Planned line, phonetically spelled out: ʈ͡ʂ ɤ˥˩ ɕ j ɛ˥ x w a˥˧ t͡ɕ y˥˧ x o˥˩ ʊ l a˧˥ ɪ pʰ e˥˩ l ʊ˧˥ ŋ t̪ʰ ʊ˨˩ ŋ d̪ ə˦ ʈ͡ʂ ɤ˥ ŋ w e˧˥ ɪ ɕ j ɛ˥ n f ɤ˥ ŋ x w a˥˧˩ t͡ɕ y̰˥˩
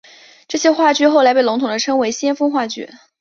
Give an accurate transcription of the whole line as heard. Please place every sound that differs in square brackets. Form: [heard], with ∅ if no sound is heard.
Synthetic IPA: ʈ͡ʂ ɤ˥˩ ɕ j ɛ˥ x w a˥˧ t͡ɕ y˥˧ x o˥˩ ʊ l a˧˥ ɪ [p] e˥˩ l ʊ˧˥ ŋ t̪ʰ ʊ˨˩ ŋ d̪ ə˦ [ʈ͡ʂʰ] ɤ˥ ŋ w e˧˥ ɪ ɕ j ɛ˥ n f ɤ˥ ŋ x w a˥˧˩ t͡ɕ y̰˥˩